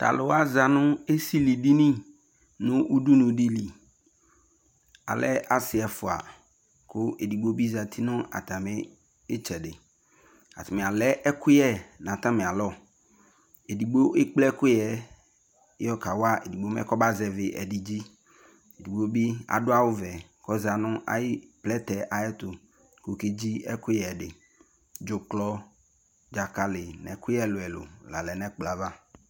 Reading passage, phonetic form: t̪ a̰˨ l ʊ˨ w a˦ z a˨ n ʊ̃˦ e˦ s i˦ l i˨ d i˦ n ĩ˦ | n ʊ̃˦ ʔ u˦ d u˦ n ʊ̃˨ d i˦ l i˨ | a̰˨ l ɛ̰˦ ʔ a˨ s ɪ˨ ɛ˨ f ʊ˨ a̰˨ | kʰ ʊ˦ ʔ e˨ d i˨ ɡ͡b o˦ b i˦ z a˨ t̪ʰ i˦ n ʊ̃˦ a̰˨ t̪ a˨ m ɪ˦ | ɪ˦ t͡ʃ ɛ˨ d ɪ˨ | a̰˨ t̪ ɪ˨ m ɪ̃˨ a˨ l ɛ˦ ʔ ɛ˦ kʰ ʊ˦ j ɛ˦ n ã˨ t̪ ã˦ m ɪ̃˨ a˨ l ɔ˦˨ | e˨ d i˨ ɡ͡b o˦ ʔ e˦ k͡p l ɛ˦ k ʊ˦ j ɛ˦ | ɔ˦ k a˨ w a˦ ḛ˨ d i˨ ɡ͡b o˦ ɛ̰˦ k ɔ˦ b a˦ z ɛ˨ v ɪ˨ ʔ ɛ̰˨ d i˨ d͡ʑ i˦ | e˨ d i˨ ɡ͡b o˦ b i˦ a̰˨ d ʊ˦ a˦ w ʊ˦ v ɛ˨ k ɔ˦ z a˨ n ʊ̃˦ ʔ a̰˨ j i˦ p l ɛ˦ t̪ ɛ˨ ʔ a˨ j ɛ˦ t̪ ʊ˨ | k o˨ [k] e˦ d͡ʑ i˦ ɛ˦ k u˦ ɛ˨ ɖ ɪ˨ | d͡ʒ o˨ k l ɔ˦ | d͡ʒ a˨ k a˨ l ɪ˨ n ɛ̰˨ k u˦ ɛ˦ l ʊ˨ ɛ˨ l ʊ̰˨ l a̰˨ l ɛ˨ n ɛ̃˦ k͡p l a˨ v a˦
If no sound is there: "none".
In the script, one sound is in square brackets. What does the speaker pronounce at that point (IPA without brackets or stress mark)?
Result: k